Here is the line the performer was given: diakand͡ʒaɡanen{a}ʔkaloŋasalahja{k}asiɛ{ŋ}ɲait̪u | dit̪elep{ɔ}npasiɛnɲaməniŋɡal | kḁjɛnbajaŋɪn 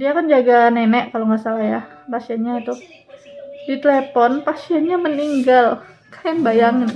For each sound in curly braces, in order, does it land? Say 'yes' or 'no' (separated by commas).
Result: no, no, no, yes